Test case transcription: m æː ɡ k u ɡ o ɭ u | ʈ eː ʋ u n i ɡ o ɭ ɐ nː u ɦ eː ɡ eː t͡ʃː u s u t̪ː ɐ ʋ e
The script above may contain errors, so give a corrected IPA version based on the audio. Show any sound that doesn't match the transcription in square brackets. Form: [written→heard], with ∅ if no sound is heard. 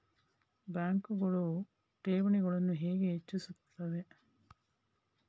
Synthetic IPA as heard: [m→b] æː [ɡ→ŋ] k u ɡ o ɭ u | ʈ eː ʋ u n i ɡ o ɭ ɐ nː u ɦ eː ɡ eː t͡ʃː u s u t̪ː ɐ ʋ e